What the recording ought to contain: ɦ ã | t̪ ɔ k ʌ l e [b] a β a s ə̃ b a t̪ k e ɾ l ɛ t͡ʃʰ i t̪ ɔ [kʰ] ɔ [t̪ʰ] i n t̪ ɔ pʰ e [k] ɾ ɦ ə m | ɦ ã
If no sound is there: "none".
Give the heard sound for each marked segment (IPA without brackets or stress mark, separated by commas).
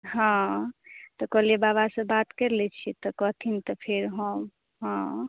b, k, t̪ʰ, none